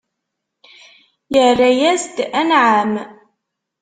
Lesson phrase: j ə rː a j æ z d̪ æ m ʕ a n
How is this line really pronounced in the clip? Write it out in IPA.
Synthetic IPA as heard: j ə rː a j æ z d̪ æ n ʕ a m